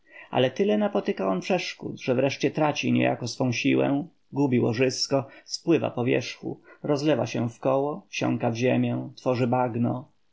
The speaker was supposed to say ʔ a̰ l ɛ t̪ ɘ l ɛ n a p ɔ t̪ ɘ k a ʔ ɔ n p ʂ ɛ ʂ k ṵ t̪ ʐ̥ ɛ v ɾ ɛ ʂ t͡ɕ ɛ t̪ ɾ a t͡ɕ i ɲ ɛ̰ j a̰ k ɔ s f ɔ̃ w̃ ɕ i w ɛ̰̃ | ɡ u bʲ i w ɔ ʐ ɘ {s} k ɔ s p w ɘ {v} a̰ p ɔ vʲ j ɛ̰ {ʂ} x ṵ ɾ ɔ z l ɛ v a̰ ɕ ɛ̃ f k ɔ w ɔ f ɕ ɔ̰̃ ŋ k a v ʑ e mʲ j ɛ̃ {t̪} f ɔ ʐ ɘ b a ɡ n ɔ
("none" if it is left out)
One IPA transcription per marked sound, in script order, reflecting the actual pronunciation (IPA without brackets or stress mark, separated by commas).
s, v, ʂ, t̪